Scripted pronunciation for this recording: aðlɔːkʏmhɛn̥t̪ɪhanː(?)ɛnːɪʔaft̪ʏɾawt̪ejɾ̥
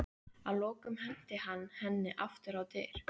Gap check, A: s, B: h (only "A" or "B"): B